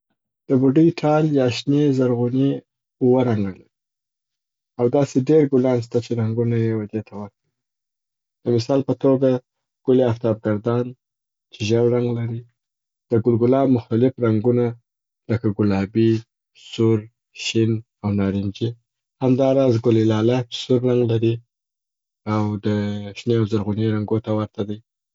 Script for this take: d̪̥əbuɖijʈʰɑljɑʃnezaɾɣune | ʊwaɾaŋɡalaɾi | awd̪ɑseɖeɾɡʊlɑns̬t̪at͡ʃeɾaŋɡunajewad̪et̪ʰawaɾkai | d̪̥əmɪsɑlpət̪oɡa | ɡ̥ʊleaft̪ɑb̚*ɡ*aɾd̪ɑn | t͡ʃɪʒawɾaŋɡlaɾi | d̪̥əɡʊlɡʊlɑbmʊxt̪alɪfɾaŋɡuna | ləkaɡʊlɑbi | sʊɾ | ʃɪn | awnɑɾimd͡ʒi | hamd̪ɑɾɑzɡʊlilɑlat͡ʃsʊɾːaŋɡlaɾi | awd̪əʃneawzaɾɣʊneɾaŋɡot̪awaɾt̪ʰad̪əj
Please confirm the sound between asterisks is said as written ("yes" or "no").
yes